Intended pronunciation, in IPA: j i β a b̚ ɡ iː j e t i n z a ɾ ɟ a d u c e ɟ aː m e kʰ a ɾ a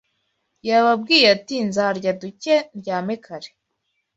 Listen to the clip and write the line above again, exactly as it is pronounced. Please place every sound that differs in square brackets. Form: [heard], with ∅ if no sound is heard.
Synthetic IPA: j [a] β a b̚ ɡ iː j [a] t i n z a ɾ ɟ a d u c e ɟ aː m e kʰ a ɾ [e]